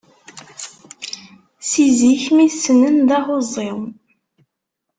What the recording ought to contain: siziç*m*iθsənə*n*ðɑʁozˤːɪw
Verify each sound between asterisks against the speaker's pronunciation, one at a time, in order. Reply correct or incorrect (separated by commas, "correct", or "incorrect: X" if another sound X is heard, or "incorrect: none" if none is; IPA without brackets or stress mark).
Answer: correct, correct